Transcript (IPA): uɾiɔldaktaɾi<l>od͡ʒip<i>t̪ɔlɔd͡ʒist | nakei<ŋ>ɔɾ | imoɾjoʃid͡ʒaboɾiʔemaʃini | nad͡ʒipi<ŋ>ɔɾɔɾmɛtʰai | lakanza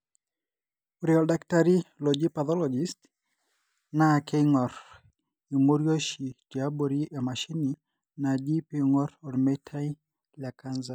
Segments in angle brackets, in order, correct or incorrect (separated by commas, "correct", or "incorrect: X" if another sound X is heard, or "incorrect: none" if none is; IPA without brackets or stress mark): correct, incorrect: a, correct, correct